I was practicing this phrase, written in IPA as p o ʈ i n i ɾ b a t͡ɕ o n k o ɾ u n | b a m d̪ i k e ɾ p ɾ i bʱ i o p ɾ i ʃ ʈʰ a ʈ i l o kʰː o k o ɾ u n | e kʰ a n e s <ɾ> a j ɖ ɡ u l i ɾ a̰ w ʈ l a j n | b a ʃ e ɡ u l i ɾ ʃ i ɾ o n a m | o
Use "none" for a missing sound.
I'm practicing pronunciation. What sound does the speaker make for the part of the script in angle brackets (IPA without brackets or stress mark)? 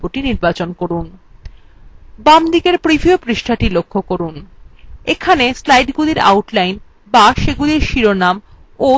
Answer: l